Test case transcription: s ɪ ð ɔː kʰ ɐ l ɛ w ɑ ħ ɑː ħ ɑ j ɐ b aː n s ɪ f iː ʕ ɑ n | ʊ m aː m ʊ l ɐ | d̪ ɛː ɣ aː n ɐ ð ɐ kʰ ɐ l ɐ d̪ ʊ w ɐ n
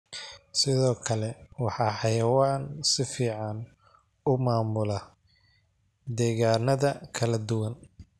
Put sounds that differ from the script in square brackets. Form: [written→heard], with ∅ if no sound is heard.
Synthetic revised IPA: s ɪ ð ɔː kʰ ɐ l ɛ w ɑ ħ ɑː ħ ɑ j ɐ [b→w] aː n s ɪ f iː ʕ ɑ n | ʊ m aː m ʊ l ɐ | d̪ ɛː ɣ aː n ɐ ð ɐ kʰ ɐ l ɐ d̪ ʊ w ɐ n